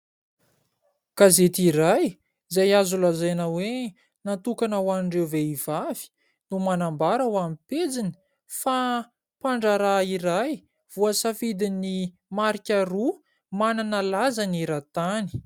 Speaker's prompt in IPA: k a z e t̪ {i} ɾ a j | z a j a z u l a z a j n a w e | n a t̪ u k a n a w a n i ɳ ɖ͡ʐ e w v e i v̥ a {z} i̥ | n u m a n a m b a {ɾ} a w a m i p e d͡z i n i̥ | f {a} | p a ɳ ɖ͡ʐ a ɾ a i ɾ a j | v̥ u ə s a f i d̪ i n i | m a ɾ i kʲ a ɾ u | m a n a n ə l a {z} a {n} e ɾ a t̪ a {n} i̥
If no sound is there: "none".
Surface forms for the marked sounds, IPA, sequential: i, v, ɾ, a, z, n, n

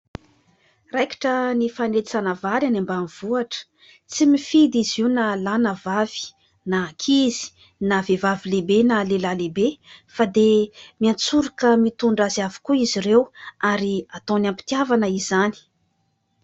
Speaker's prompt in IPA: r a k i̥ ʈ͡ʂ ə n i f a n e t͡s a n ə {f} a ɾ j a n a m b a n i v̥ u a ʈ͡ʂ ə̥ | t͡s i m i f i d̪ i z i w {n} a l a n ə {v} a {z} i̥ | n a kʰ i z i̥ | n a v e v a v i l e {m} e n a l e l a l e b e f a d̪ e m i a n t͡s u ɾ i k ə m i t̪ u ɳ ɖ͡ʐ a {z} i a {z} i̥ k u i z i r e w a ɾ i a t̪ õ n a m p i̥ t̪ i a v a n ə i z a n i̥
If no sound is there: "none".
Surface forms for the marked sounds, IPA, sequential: v, n, v, v, b, z, v

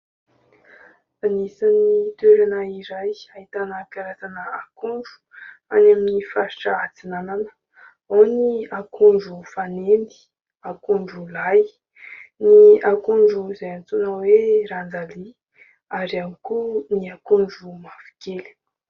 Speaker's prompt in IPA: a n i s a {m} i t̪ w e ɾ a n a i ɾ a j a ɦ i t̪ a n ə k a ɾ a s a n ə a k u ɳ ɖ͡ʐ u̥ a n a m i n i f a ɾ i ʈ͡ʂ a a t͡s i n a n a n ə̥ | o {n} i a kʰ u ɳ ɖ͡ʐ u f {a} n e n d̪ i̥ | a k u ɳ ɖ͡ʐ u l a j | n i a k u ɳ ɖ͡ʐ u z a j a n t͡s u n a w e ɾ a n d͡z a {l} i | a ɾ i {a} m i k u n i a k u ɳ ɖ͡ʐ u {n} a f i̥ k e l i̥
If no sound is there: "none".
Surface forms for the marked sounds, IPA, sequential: n, n, a, l, a, m

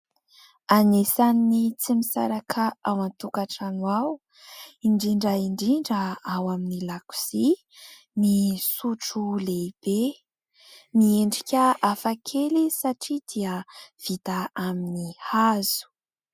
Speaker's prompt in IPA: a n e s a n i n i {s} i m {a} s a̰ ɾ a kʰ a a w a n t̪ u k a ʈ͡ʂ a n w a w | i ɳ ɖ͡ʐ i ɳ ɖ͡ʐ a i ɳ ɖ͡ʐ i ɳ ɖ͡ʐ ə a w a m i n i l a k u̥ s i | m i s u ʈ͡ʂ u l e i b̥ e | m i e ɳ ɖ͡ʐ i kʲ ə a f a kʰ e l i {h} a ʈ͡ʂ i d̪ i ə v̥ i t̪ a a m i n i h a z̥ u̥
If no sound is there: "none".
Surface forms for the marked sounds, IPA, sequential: t͡s, i, s

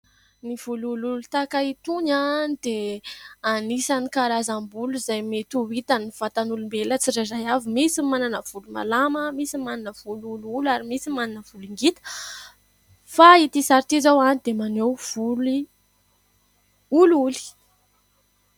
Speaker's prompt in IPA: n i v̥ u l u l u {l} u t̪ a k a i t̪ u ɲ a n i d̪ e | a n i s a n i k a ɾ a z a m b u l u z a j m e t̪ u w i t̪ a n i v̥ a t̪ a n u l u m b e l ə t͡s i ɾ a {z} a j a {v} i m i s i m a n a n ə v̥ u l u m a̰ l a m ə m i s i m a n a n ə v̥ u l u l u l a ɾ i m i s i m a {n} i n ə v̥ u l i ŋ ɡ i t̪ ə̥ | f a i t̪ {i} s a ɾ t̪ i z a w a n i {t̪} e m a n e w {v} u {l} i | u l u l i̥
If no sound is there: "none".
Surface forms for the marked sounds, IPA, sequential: l, z, v, n, i, d̪, v, l

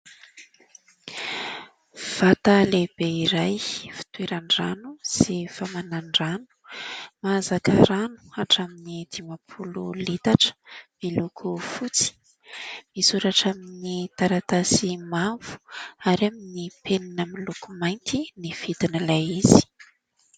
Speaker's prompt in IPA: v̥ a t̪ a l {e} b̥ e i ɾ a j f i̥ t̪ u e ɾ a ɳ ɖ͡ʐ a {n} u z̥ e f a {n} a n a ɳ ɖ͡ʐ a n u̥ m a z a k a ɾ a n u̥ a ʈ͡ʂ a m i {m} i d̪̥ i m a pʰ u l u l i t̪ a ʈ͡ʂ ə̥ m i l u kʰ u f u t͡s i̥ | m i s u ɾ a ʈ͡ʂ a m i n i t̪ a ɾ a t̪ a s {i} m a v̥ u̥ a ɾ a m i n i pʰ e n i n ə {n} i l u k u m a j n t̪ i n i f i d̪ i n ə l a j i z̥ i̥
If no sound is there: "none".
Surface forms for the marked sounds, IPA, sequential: e, n, m, n, i, m

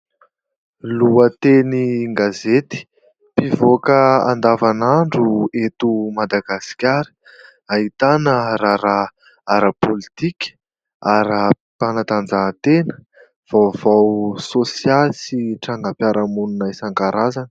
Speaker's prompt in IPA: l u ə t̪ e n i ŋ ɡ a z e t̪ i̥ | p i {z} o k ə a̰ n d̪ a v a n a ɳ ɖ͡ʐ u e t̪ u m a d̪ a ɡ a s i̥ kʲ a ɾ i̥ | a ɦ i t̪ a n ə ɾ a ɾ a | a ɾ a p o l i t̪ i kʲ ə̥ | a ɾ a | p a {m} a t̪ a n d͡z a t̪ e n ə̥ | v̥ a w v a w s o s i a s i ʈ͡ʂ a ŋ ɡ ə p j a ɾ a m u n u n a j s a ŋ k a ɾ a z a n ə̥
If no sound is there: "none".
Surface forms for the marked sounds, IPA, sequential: v, n

